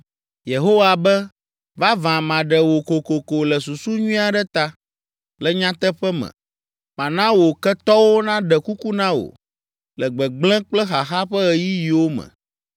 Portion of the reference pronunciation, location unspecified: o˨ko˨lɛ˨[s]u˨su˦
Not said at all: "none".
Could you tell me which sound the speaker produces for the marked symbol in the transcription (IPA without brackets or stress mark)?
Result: s